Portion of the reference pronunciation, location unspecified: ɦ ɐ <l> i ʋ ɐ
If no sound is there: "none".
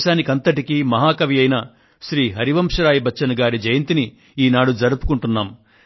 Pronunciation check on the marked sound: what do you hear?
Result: ɾ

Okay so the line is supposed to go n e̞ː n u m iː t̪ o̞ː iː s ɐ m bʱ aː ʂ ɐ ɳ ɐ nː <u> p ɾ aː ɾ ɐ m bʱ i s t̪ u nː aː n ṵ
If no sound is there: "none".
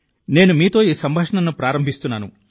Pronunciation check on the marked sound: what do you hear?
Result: u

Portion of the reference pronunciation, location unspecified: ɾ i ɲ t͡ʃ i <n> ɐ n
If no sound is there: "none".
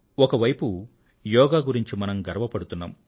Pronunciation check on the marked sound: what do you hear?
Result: m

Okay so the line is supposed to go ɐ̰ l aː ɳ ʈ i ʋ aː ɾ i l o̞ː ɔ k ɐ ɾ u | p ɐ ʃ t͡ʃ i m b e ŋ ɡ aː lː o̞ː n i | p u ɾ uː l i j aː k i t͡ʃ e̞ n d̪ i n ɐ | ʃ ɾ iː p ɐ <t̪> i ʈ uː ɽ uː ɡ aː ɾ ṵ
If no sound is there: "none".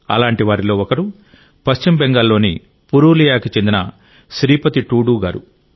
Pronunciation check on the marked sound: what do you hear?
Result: t̪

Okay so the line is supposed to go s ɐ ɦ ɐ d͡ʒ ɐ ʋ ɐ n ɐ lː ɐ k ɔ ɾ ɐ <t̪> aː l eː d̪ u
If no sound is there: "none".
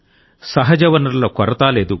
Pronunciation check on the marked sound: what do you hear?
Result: t̪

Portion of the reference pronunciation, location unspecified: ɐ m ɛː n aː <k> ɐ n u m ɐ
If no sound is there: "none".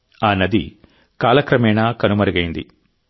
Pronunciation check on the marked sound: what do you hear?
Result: k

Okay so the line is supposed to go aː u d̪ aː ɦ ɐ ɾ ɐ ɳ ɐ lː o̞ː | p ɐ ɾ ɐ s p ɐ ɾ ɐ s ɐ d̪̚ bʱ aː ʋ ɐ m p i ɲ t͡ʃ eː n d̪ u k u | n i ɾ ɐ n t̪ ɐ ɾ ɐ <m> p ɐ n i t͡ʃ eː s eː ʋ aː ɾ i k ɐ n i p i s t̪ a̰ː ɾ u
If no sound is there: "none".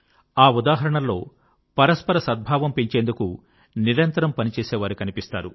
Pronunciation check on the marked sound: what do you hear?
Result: m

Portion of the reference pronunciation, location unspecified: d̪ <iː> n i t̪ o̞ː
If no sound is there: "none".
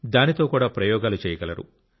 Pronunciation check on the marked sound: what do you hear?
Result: aː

